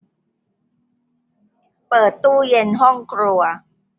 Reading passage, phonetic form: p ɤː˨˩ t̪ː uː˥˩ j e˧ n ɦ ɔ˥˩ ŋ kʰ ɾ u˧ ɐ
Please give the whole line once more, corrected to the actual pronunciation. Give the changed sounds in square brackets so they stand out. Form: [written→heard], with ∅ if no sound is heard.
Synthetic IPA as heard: p ɤː˨˩ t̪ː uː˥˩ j e˧ n ɦ ɔ˥˩ ŋ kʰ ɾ u˧ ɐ